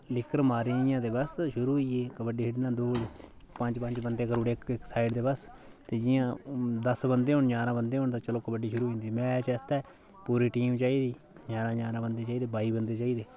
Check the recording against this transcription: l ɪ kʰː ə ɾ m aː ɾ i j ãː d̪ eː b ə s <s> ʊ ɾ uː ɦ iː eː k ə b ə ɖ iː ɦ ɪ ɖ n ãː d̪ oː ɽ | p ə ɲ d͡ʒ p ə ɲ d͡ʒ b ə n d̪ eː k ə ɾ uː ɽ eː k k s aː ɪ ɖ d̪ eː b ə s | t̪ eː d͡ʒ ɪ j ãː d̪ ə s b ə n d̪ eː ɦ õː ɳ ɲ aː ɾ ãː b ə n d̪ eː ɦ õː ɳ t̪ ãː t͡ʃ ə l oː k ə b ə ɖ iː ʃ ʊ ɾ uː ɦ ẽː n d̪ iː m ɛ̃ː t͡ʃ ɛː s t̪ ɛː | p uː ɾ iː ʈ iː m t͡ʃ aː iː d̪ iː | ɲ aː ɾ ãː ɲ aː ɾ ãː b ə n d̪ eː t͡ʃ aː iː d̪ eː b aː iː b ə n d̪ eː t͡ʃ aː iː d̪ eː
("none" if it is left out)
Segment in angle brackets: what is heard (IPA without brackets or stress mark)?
ʃ